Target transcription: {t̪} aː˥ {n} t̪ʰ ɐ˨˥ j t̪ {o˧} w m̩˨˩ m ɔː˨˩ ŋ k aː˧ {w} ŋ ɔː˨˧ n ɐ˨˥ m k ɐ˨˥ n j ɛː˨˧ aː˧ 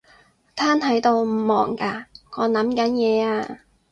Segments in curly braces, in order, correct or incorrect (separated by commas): incorrect, correct, correct, incorrect